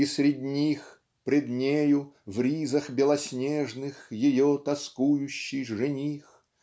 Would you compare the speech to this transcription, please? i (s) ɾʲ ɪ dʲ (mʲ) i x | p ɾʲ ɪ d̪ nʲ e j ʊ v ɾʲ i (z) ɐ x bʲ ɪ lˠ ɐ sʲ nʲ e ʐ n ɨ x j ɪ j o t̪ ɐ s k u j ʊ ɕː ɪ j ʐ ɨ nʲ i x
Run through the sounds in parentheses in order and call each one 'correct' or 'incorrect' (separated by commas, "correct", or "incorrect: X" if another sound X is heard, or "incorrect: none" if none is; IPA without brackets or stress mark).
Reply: correct, incorrect: nʲ, correct